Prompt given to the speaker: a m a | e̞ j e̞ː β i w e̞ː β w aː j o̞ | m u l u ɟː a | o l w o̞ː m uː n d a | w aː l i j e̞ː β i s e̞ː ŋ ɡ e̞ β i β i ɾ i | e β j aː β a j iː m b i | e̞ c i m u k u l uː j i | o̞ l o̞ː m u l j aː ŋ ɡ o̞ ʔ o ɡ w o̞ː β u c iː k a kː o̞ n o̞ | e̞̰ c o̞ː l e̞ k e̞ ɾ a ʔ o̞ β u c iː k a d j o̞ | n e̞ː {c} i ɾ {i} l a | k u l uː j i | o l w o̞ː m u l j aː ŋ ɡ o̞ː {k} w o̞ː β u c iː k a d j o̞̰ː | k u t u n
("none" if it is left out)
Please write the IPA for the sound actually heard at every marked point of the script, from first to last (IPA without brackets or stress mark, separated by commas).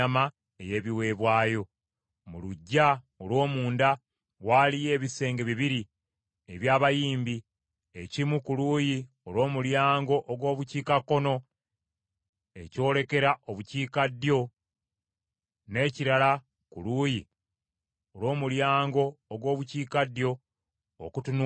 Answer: c, a, ɡ